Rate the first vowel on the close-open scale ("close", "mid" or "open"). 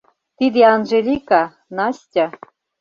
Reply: close